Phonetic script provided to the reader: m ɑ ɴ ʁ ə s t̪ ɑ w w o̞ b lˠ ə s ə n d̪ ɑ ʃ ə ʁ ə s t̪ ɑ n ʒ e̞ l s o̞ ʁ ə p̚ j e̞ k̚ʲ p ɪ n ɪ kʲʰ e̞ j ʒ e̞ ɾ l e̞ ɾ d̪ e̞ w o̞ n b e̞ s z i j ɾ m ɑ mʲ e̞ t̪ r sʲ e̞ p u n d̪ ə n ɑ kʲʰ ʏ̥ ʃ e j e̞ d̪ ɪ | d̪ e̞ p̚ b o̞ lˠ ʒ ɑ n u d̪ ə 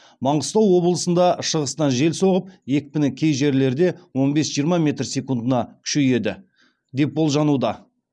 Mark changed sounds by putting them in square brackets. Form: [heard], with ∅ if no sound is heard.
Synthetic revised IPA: m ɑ ɴ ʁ ə s t̪ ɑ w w o̞ b lˠ ə s ə n d̪ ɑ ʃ ə ʁ ə s t̪ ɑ n ʒ e̞ l s o̞ ʁ ə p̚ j e̞ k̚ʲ p ɪ n ɪ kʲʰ e̞ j ʒ e̞ ɾ l e̞ ɾ d̪ e̞ w o̞ n b e̞ s [ʒ] i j ɾ m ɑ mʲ e̞ t̪ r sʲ e̞ [k] u n d̪ ə n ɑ kʲʰ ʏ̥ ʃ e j e̞ d̪ ɪ | d̪ e̞ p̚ b o̞ lˠ ʒ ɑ n u d̪ [ɑ]